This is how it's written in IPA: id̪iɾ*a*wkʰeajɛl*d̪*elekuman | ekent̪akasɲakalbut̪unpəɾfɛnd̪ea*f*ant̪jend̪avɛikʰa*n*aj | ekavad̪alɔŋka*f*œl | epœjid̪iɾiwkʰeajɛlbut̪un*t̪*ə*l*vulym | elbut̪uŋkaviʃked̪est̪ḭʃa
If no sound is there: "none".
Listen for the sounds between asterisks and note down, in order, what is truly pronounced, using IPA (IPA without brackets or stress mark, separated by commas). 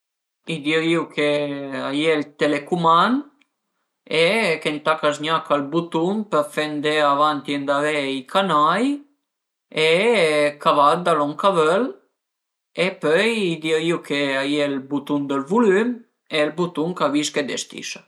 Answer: i, t̪, v, n, v, d̪, l